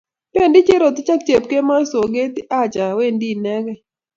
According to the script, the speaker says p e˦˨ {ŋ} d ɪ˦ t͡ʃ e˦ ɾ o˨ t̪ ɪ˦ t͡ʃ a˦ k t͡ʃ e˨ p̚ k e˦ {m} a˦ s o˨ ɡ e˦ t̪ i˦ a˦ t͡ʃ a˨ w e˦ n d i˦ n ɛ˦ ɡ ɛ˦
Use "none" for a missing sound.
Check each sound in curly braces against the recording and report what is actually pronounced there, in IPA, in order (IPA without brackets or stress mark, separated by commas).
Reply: n, m